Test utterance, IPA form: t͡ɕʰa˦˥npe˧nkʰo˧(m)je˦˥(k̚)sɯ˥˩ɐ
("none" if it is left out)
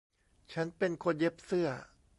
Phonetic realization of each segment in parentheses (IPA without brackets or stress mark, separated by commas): n, p̚